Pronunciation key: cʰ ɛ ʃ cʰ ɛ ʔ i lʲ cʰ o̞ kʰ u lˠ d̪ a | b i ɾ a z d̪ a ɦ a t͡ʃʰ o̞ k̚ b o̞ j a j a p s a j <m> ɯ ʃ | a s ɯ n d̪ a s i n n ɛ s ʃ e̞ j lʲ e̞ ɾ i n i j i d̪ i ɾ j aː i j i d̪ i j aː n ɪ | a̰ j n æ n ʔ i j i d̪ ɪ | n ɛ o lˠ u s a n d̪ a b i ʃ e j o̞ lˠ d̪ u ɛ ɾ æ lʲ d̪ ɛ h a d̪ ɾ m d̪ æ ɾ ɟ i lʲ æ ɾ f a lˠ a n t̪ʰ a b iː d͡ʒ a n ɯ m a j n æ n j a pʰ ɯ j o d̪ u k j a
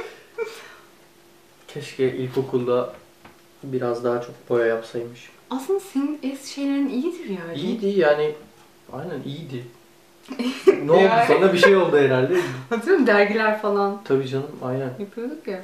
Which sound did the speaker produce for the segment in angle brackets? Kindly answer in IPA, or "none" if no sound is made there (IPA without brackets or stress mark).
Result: m